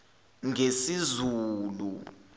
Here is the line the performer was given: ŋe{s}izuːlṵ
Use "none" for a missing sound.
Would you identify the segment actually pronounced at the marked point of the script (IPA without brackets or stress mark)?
s